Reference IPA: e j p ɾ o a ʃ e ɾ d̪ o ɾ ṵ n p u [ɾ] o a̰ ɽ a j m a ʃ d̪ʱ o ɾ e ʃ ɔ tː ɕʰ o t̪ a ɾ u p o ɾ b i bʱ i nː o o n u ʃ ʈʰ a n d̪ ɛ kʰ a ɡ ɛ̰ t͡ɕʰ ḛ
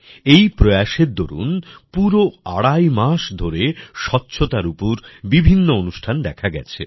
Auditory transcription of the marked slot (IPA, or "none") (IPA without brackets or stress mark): ɾ